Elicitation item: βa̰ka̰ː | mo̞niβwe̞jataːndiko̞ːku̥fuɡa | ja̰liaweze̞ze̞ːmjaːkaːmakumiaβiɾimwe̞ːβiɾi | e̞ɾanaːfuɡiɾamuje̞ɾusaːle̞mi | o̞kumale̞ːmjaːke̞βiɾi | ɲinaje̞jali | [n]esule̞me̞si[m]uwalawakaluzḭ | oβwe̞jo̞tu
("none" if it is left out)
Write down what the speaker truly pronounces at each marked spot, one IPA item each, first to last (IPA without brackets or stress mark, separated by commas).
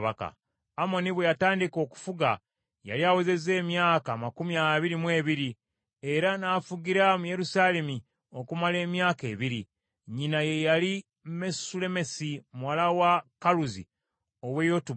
m, m